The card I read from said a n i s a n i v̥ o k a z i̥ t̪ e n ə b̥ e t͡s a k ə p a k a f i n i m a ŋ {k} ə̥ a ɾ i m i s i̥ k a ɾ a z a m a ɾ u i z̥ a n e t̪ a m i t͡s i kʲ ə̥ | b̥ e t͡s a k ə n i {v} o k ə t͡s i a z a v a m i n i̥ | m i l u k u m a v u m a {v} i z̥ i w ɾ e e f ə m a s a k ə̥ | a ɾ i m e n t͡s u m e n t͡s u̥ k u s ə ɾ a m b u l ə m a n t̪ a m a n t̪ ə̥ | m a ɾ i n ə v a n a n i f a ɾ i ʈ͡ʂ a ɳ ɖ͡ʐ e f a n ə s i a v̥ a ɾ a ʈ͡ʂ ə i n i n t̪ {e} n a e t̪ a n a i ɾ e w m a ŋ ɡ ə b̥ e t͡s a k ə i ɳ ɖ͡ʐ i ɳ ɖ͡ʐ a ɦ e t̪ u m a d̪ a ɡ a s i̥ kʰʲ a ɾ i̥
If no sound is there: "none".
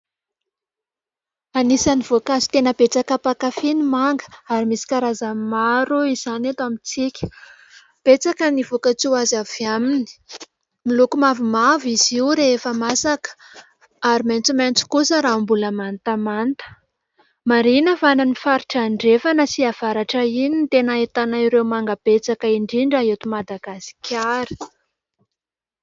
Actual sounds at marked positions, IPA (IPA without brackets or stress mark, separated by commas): ɡ, v, v, e